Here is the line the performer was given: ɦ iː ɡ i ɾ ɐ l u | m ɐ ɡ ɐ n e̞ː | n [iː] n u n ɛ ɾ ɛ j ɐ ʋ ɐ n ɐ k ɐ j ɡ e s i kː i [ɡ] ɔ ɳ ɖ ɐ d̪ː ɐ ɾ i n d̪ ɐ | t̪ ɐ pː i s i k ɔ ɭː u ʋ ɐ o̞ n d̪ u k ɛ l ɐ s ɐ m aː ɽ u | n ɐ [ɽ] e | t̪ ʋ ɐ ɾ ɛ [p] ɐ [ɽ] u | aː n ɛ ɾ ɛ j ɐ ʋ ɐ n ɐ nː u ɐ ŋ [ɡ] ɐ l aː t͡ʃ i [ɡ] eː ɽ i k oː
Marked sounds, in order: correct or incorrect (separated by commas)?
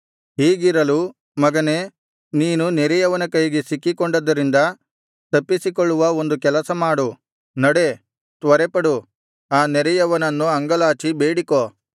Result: correct, incorrect, correct, correct, correct, correct, incorrect